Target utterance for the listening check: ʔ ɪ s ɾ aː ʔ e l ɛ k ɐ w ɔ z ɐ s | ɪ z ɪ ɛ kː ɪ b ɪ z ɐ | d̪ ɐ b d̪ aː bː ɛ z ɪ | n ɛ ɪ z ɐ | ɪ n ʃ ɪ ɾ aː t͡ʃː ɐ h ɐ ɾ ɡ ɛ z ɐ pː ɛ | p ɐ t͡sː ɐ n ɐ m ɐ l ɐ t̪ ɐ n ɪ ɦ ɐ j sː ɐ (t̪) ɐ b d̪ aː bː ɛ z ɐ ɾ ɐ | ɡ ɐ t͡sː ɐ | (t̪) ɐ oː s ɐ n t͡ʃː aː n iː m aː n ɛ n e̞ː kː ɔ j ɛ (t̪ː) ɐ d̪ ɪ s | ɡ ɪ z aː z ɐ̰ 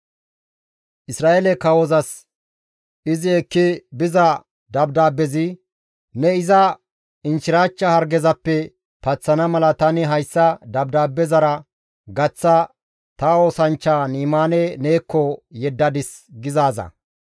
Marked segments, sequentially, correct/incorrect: incorrect: d̪, correct, incorrect: d̪ː

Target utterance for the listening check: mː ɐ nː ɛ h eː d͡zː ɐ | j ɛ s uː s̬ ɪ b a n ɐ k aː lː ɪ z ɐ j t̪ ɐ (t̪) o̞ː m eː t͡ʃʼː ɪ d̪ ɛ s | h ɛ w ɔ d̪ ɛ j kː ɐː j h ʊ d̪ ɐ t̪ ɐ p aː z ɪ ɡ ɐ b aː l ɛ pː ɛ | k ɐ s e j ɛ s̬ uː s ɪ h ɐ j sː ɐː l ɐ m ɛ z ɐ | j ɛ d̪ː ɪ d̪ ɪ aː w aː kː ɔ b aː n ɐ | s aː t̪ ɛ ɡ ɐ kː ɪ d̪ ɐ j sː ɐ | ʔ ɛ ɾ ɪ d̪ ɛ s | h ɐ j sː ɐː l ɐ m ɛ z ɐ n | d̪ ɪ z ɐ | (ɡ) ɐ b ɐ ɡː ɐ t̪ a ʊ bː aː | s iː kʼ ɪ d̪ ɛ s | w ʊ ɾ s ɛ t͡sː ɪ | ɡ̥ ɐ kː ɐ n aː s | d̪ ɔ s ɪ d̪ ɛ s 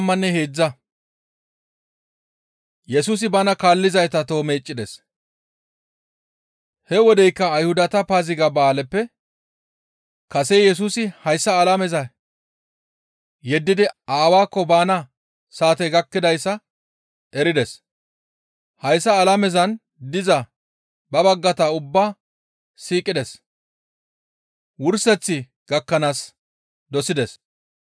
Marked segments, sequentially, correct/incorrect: correct, incorrect: b

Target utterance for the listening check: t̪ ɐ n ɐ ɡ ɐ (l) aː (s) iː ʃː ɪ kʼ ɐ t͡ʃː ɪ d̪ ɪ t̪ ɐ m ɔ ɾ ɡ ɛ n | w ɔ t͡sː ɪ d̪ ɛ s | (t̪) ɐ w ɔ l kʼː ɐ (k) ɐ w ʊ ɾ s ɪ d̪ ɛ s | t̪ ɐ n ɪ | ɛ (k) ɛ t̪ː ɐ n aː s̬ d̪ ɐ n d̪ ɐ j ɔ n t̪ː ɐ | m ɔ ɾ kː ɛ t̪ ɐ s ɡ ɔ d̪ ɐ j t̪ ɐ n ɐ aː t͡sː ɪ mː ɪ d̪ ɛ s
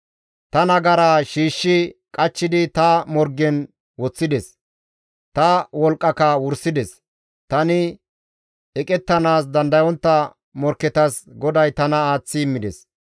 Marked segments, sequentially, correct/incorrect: incorrect: ɾ, incorrect: ʃ, correct, correct, incorrect: kʼ

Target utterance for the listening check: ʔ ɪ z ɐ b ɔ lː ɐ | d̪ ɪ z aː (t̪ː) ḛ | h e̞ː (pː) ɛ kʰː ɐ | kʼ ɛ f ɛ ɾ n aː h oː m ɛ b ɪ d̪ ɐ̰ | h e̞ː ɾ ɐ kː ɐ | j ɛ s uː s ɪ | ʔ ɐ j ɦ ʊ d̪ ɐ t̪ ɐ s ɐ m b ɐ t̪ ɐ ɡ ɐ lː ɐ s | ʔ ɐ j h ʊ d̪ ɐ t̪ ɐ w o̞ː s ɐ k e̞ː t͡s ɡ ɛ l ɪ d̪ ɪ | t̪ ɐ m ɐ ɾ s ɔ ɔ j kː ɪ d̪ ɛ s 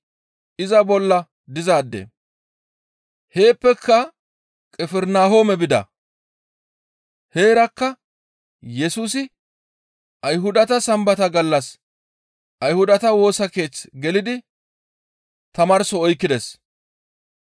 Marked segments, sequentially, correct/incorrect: incorrect: d̪ː, correct

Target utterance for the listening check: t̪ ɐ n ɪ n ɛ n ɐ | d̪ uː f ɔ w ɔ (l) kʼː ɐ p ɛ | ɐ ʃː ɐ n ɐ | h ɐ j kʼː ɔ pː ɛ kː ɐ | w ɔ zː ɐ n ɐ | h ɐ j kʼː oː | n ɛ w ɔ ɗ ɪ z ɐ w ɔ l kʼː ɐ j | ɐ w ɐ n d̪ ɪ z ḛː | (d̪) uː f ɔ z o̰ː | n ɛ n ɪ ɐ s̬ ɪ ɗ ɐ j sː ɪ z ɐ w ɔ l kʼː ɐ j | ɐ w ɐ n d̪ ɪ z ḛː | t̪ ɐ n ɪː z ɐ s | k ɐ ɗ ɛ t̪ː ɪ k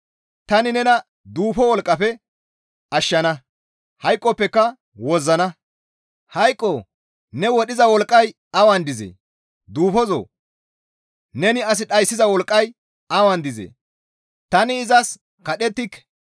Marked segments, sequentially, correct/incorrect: correct, correct

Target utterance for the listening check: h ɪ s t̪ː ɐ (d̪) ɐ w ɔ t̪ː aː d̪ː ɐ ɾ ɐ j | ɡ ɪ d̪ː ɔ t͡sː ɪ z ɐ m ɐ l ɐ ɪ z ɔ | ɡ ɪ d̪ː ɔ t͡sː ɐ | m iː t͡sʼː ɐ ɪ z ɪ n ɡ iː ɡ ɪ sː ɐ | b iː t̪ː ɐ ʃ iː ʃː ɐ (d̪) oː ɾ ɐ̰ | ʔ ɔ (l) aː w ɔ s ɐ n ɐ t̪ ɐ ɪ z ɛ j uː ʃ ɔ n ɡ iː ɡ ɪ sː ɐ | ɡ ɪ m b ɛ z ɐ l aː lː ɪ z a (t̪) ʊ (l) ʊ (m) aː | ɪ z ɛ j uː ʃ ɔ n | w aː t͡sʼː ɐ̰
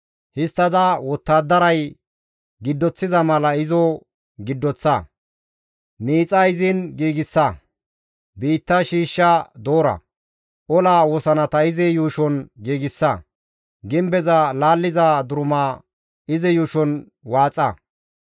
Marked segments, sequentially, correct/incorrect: correct, correct, correct, incorrect: d̪, incorrect: ɾ, correct

